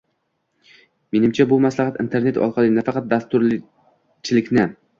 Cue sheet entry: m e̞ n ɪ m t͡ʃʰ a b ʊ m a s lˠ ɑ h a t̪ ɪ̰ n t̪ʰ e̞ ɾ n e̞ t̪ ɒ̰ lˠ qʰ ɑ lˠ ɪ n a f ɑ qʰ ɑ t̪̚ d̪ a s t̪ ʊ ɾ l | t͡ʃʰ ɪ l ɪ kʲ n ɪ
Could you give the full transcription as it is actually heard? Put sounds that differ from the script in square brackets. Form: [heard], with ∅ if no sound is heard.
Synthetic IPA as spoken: m e̞ n ɪ m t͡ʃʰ a b ʊ m a s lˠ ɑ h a t̪ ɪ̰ n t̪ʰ e̞ ɾ n e̞ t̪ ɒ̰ lˠ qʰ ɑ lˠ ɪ n a f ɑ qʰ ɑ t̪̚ d̪ a s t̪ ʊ ɾ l | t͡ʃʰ ɪ l ɪ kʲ n ɪ